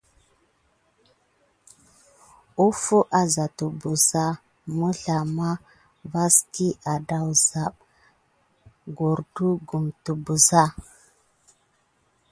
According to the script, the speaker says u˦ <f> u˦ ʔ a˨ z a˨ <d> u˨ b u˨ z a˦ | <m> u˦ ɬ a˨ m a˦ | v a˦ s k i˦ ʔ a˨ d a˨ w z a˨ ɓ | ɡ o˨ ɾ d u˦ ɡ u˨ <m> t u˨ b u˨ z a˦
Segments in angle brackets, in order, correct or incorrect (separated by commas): correct, incorrect, correct, correct